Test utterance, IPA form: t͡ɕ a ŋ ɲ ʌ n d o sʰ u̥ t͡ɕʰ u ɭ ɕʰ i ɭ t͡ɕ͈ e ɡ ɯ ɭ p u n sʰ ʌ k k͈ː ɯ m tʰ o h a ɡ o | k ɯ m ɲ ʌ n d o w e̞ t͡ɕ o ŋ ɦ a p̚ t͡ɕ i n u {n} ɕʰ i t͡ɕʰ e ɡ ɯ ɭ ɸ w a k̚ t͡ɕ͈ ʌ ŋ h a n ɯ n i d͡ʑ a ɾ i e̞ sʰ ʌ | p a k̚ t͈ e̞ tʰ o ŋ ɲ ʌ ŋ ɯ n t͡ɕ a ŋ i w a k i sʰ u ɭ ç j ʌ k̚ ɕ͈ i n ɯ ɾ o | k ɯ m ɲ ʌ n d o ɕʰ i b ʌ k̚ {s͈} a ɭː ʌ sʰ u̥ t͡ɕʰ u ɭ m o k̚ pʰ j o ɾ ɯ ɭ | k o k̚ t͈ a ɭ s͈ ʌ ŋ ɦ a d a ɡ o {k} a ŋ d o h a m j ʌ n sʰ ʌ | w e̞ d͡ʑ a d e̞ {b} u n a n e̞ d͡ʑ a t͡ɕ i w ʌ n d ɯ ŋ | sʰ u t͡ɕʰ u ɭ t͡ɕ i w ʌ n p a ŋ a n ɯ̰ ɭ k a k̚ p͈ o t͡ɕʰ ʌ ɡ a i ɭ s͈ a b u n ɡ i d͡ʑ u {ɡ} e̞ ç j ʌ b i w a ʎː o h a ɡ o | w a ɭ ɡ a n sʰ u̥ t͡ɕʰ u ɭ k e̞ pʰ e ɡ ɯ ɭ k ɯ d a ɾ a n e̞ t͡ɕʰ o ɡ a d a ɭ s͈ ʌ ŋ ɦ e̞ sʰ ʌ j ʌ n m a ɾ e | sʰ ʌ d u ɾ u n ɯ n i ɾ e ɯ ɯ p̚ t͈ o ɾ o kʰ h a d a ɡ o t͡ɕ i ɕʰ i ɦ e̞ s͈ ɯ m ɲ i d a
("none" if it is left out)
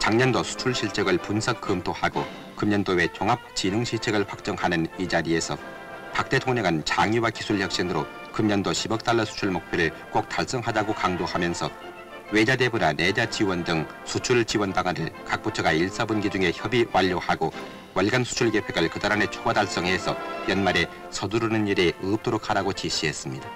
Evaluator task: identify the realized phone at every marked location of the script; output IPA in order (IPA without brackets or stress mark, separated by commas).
ŋ, t͈, k, b, ŋ